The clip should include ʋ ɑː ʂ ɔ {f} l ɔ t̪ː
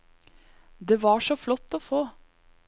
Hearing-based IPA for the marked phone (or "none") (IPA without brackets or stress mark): f